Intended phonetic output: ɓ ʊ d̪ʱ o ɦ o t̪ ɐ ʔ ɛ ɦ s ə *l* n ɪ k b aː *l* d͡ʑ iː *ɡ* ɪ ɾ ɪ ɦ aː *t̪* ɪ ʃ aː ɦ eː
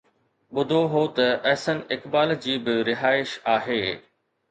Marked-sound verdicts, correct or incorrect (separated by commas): incorrect, correct, incorrect, incorrect